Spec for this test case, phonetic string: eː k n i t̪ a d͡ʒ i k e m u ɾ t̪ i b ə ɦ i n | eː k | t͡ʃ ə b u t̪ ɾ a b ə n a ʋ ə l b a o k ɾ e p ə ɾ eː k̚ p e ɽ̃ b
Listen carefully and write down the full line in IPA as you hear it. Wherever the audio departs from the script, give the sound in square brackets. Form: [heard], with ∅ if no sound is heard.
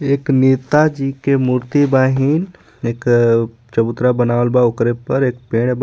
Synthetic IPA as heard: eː k n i t̪ a d͡ʒ i k e m u ɾ t̪ i b [a] ɦ i n | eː k | t͡ʃ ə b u t̪ ɾ a b ə n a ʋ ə l b a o k ɾ e p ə ɾ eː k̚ p e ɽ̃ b